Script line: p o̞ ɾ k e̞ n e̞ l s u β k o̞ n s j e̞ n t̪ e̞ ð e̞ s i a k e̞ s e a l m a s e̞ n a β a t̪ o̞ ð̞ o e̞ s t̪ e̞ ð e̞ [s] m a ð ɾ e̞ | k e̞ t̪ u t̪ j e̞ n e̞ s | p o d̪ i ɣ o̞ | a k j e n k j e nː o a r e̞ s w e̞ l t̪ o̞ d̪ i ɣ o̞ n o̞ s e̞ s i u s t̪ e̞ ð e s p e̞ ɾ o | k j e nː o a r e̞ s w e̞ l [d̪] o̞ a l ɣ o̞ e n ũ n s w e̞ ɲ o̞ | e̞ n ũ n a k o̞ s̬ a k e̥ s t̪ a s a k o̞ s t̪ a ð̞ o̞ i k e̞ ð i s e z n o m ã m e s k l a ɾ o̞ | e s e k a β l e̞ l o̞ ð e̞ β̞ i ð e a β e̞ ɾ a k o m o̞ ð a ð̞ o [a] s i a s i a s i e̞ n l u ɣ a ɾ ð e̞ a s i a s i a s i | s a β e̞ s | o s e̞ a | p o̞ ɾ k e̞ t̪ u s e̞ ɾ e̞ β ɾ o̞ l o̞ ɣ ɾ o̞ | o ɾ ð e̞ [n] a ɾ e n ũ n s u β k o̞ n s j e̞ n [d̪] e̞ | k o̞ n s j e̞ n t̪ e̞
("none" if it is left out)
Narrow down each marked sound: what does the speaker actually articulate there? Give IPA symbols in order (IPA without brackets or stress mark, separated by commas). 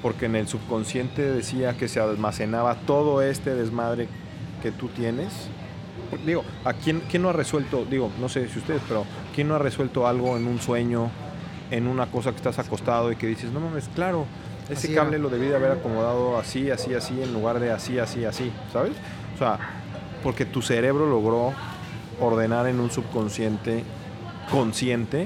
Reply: z, t̪, a, n, t̪